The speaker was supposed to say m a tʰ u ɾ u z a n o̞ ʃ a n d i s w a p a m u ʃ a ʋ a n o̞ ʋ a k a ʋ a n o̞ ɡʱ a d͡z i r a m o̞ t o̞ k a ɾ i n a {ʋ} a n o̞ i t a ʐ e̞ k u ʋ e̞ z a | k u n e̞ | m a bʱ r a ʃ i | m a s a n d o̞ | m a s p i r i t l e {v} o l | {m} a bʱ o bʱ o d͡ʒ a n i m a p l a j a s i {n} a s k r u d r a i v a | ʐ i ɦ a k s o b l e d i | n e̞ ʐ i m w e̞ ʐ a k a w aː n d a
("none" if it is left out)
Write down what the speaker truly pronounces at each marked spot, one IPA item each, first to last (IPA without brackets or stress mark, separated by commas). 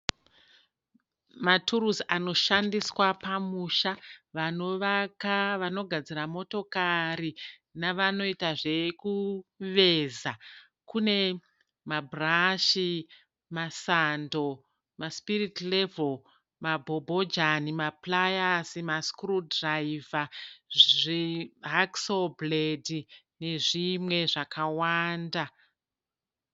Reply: ʋ, v, m, m